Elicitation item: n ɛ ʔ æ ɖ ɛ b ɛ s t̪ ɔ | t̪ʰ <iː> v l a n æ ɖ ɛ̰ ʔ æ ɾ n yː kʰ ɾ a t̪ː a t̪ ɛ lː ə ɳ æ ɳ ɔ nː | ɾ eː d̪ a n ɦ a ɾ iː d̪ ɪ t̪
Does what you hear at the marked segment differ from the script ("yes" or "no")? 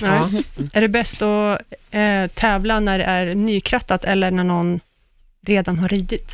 yes